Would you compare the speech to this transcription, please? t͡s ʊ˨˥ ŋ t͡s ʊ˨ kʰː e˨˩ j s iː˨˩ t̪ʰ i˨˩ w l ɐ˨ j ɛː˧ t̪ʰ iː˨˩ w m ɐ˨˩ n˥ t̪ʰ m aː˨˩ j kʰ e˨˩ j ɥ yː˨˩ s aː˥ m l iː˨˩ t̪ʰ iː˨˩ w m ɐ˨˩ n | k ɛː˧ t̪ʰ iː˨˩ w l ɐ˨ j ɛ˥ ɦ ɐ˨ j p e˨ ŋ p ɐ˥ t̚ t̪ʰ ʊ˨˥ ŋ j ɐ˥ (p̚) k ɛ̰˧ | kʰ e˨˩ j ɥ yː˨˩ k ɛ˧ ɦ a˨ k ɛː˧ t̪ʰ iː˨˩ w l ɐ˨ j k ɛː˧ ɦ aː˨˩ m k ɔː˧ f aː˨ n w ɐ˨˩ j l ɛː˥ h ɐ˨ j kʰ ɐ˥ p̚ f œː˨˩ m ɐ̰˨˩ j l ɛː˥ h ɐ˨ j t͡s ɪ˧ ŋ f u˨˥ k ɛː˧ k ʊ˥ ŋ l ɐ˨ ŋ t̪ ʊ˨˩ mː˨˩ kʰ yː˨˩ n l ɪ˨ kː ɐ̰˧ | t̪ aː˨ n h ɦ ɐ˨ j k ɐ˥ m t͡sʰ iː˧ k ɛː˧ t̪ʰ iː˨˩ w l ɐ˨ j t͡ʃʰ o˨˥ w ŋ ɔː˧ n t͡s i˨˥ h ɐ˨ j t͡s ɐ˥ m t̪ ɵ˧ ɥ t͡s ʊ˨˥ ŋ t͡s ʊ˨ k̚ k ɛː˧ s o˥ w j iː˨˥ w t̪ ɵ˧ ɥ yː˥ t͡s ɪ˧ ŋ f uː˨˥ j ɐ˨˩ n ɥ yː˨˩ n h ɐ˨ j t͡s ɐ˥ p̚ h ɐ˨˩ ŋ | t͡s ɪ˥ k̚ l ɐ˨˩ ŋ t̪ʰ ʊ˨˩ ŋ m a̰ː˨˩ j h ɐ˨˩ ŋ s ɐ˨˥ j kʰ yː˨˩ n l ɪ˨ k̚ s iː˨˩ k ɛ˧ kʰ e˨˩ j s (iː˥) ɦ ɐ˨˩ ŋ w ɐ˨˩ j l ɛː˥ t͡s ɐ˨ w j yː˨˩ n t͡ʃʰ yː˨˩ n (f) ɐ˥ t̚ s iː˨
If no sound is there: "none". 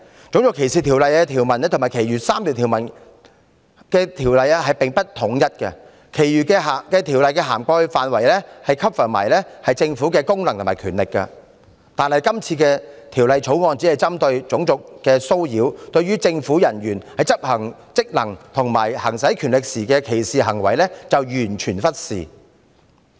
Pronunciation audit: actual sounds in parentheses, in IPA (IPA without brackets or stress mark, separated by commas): t̚, iː˨, f